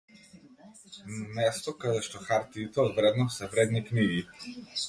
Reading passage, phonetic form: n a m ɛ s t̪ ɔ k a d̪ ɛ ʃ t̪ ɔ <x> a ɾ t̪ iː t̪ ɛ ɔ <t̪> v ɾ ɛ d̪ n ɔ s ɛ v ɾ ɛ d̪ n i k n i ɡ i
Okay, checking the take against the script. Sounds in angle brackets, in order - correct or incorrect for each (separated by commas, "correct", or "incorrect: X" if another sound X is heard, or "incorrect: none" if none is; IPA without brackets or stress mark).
correct, incorrect: d̪